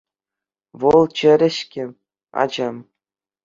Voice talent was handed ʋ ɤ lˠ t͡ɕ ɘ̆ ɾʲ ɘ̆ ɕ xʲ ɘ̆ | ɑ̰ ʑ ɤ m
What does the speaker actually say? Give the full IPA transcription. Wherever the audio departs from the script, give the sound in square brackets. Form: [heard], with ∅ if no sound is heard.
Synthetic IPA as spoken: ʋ ɤ lˠ t͡ɕ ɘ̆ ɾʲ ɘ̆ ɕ [kʲ] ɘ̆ | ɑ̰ [d͡ʑ] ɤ m